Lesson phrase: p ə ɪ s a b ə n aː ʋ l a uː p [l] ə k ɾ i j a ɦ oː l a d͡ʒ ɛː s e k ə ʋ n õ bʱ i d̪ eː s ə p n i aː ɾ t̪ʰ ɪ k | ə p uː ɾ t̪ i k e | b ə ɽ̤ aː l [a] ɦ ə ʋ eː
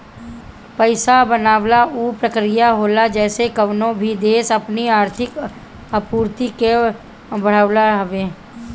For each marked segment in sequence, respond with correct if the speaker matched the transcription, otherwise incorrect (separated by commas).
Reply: incorrect, correct